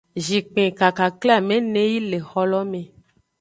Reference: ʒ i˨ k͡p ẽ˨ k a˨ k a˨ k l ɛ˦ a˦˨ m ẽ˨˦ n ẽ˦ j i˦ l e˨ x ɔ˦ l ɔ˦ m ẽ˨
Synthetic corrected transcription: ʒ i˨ k͡p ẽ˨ k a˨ k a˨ k l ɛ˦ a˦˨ m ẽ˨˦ n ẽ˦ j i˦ l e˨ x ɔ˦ l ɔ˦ m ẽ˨